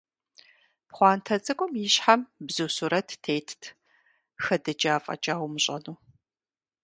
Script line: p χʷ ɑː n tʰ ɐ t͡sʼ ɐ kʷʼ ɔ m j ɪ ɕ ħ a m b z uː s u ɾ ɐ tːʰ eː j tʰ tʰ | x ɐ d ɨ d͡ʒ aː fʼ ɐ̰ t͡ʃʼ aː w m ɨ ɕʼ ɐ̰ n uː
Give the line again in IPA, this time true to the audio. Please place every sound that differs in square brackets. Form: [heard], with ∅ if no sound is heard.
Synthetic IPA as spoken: p χʷ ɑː n tʰ ɐ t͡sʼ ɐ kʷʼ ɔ m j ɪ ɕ ħ a m b z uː s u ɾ ɐ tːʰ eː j tʰ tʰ | x ɐ d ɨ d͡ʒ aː fʼ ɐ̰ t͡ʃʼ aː w m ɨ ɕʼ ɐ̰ n uː

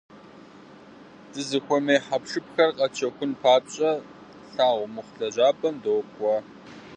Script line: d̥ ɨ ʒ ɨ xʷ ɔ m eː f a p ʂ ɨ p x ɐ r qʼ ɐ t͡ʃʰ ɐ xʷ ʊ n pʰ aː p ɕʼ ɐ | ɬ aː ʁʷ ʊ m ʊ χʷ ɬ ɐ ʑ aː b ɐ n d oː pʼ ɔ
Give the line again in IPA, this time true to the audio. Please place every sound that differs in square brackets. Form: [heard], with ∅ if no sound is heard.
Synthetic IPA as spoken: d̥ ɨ [z] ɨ xʷ ɔ m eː [ħ] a p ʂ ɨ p x ɐ r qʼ ɐ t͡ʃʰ ɐ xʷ ʊ n pʰ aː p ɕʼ ɐ | ɬ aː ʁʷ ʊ m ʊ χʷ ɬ ɐ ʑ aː b ɐ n d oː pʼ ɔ

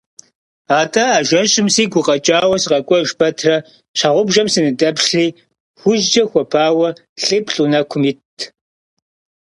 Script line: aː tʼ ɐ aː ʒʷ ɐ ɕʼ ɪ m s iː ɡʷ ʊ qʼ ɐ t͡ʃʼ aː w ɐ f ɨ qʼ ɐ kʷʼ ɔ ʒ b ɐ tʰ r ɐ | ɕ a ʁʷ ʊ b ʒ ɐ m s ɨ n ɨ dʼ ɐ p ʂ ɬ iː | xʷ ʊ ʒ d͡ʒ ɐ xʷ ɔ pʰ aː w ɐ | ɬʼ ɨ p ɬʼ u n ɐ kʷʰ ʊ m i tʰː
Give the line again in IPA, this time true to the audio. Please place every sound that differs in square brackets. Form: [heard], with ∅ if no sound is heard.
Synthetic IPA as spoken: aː tʼ ɐ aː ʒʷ ɐ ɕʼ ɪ m s iː ɡʷ ʊ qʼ ɐ t͡ʃʼ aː w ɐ [s] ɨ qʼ ɐ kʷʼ ɔ ʒ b ɐ tʰ r ɐ | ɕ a ʁʷ ʊ b ʒ ɐ m s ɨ n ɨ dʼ ɐ p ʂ ɬ iː | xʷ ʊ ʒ d͡ʒ ɐ xʷ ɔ pʰ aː w ɐ | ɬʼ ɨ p ɬʼ u n ɐ kʷʰ ʊ m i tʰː

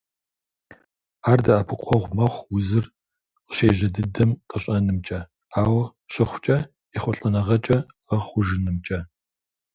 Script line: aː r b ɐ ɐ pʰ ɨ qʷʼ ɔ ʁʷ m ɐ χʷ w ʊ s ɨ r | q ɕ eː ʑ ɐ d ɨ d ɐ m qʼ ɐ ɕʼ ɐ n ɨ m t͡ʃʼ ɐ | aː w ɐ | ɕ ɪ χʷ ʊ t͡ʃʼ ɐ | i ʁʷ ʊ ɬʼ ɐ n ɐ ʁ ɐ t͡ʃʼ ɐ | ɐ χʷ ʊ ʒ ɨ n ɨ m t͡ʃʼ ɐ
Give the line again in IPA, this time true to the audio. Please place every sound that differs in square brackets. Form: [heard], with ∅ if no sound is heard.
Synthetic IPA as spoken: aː r [d] ɐ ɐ pʰ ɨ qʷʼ ɔ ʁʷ m ɐ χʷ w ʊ [z] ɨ r | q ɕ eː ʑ ɐ d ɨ d ɐ m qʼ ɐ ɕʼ ɐ n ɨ m t͡ʃʼ ɐ | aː w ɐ | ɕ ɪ χʷ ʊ t͡ʃʼ ɐ | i [χʷ] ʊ ɬʼ ɐ n ɐ ʁ ɐ t͡ʃʼ ɐ | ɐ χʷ ʊ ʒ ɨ n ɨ m t͡ʃʼ ɐ

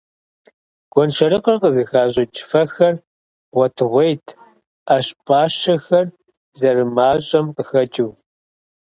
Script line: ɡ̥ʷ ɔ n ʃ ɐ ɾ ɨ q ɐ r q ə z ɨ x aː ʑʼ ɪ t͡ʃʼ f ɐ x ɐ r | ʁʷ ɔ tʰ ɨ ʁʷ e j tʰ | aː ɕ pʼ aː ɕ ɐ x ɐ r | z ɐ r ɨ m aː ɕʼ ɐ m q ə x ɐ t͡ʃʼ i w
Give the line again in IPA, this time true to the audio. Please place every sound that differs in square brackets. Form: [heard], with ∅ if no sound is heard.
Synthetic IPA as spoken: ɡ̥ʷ ɔ n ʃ ɐ ɾ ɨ q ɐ r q ə z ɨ x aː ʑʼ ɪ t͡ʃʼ f ɐ x ɐ r | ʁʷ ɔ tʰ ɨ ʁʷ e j tʰ | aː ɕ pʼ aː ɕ ɐ x ɐ r | z ɐ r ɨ m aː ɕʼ ɐ m q ə x ɐ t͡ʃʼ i w

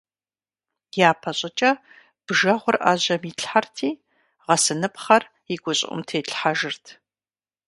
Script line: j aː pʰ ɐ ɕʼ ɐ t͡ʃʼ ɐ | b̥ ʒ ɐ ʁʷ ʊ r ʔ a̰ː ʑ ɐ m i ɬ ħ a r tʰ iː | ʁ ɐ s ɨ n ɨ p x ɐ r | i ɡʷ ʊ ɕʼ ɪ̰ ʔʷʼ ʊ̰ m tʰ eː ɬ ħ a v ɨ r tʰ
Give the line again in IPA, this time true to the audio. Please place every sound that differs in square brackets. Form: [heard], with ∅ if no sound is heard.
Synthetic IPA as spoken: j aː pʰ ɐ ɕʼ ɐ t͡ʃʼ ɐ | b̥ ʒ ɐ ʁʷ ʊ r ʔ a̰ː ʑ ɐ m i ɬ ħ a r tʰ iː | ʁ ɐ s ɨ n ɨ p [χ] ɐ r | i ɡʷ ʊ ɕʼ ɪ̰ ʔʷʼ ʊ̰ m tʰ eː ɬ ħ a [ʒ] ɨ r tʰ

